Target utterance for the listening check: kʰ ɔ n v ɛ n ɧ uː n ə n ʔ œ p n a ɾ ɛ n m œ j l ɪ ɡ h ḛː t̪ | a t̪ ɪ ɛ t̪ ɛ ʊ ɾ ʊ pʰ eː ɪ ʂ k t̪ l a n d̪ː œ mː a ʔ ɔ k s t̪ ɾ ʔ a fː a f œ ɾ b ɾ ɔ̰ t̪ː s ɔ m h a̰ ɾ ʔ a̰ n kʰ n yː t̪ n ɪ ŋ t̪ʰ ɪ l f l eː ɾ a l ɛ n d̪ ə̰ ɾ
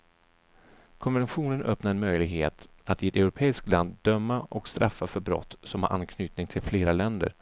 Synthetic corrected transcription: kʰ ɔ n v ɛ n ɧ uː n ə n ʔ œ p n a ɾ ɛ n m œ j l ɪ ɡ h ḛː t̪ | a t̪ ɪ ɛ t̪ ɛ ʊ ɾ ʊ pʰ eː ɪ s k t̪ l a n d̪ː œ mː a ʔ ɔ k s t̪ ɾ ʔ a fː a f œ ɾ b ɾ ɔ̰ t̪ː s ɔ m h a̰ ɾ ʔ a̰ n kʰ n yː t̪ n ɪ ŋ t̪ʰ ɪ l f l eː ɾ a l ɛ n d̪ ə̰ ɾ